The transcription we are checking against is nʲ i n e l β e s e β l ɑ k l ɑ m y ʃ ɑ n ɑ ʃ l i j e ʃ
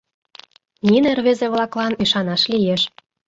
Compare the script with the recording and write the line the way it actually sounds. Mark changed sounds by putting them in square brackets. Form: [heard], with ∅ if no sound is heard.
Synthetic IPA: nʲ i n e [r] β e [z] e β l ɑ k l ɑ [n] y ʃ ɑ n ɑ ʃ l i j e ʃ